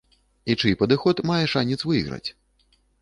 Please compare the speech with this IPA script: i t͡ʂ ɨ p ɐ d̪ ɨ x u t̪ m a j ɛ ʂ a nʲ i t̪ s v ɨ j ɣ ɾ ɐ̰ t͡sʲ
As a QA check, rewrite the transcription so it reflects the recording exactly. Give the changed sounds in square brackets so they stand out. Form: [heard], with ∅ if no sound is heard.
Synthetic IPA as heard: i t͡ʂ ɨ p ɐ d̪ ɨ x [ɔ] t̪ m a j ɛ ʂ a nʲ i t̪ s v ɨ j ɣ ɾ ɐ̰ t͡sʲ